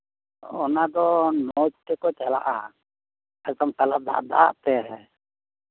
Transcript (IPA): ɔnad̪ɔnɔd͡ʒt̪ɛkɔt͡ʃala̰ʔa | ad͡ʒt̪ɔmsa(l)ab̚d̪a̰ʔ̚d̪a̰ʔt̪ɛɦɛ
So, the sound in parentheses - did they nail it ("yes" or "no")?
yes